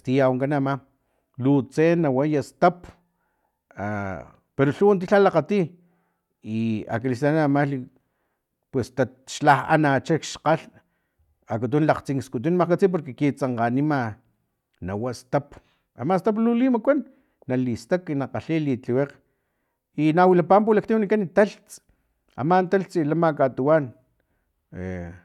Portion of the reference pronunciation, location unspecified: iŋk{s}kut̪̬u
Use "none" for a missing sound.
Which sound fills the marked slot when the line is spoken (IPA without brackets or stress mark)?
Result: s